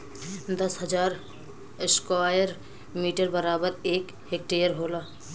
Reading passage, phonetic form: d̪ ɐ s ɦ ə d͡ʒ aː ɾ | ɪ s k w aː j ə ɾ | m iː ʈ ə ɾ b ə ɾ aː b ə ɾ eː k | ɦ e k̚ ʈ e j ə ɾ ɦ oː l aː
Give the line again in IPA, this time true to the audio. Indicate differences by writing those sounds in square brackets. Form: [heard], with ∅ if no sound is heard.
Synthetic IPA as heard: d̪ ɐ s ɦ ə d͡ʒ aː ɾ | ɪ s k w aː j ə ɾ | m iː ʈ ə ɾ b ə ɾ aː b ə ɾ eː k | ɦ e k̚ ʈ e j ə ɾ ɦ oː l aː